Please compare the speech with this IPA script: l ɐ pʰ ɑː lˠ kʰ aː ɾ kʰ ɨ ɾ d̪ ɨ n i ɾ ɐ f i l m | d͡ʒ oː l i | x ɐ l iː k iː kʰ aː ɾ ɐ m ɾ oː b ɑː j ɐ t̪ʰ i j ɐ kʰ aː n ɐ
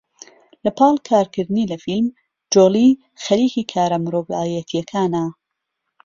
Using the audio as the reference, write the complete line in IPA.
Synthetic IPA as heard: l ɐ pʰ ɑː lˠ kʰ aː ɾ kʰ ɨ ɾ d̪ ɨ n i l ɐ f i l m | d͡ʒ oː l i | x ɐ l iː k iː kʰ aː ɾ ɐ m ɾ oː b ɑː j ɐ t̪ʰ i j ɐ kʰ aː n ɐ